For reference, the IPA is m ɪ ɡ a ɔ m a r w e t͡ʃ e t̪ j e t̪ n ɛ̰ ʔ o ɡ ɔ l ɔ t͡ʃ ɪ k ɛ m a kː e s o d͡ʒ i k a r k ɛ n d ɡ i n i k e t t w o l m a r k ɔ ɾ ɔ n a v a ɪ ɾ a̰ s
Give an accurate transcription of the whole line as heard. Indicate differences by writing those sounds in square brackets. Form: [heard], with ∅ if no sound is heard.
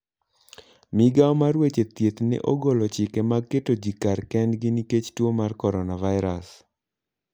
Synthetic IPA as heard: m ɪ ɡ a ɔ m a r w e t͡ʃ e t̪ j e t̪ n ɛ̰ ʔ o ɡ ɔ l ɔ t͡ʃ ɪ k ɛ m a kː e [t] o d͡ʒ i k a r k ɛ n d ɡ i n i k e [t͡ʃ] t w o [∅] m a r k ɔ ɾ ɔ n a v a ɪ ɾ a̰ s